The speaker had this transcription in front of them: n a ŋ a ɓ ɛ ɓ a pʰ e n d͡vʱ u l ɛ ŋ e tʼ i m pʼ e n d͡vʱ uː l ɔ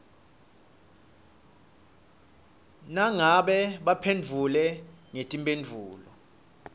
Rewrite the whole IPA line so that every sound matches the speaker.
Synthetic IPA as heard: n a ŋ a ɓ ɛ ɓ a pʰ e n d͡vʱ u l ɛ ŋ e tʼ i m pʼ e n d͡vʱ uː l ɔ